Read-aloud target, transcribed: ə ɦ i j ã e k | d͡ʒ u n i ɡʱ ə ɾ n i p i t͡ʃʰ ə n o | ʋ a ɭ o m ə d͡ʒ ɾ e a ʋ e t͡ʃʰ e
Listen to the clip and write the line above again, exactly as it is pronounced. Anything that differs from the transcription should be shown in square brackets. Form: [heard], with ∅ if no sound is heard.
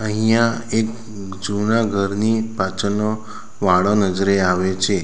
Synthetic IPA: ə ɦ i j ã e k | d͡ʒ u n [a] ɡʱ ə ɾ n i p [a] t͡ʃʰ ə n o | ʋ a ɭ o [n] ə d͡ʒ ɾ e a ʋ e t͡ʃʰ e